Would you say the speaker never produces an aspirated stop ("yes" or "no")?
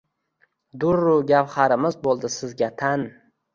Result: no